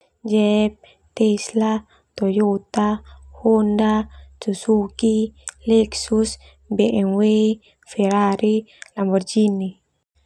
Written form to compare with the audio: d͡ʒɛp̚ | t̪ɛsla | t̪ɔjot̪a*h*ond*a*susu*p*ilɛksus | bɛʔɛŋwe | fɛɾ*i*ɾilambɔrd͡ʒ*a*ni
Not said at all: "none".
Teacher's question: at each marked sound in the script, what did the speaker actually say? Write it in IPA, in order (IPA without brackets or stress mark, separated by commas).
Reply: h, a, k, a, i